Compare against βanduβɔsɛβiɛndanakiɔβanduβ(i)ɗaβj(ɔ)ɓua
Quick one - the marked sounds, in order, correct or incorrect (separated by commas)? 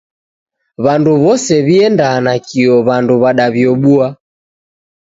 incorrect, correct